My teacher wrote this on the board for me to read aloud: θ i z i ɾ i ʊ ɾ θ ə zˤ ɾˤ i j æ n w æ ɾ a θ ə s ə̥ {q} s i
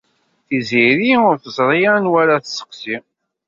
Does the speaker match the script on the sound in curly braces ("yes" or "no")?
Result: yes